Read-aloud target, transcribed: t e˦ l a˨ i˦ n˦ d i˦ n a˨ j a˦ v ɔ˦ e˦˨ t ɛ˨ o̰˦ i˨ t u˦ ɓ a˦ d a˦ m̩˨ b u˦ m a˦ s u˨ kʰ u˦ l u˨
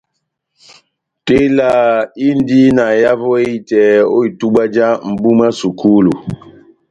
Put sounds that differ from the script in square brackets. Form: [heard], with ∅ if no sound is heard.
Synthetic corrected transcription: t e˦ l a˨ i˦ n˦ d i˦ n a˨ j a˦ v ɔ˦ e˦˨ t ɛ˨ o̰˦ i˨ t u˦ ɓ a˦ [d͡ʒ] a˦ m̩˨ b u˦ m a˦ s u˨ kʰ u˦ l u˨